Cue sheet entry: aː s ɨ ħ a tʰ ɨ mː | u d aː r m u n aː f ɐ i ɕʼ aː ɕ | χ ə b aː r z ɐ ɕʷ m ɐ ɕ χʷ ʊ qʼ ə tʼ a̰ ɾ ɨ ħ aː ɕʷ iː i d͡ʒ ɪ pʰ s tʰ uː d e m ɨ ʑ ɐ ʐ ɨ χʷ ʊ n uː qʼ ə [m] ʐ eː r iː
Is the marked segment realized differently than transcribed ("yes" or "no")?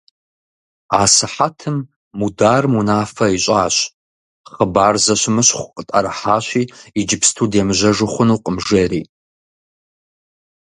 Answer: no